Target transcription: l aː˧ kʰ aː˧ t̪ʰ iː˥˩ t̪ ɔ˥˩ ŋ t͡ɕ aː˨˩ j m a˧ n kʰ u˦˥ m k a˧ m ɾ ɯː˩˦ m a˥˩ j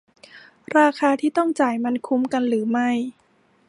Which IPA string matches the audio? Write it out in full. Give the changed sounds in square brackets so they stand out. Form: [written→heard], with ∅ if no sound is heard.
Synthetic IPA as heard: [l→ɾ] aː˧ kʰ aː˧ t̪ʰ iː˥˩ t̪ ɔ˥˩ ŋ t͡ɕ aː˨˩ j m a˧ n kʰ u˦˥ m k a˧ [m→n] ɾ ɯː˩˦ m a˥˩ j